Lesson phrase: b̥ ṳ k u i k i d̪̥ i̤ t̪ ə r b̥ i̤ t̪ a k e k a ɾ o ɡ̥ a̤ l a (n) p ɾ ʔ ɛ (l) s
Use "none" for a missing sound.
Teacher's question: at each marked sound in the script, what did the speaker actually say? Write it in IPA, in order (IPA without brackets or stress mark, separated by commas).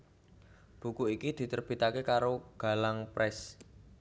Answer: ŋ, none